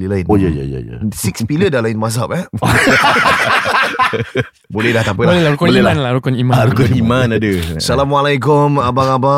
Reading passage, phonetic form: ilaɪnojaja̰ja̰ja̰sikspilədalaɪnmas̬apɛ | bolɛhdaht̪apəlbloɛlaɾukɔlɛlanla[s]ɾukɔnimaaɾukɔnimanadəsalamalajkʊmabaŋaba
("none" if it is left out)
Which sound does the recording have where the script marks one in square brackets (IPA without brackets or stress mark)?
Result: none